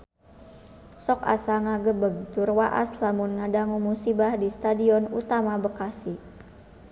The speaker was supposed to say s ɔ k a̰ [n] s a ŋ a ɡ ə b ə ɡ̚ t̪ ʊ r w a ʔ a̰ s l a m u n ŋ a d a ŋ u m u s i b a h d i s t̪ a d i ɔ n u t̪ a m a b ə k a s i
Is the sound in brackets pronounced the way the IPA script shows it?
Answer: no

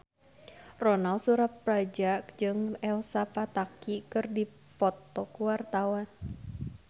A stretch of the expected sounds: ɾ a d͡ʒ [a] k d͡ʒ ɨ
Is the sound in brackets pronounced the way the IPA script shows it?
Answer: yes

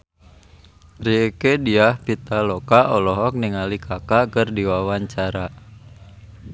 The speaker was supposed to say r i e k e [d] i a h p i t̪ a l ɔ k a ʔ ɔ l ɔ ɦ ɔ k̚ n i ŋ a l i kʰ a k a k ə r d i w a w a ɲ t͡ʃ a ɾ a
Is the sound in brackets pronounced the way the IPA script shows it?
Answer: yes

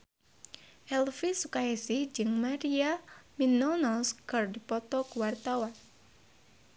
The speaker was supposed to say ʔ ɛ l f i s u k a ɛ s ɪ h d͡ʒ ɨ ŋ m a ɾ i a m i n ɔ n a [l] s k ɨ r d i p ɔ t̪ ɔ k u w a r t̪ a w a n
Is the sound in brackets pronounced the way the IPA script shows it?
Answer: yes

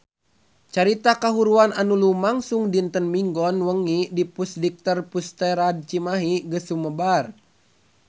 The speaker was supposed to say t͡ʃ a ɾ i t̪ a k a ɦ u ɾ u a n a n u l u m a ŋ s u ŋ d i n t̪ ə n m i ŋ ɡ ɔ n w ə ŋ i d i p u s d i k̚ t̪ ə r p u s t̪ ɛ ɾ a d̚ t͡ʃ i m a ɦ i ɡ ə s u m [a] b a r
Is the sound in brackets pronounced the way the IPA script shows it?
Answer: no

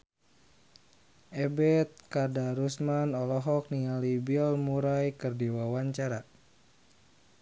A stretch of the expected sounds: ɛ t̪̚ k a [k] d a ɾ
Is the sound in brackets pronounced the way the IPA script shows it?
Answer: no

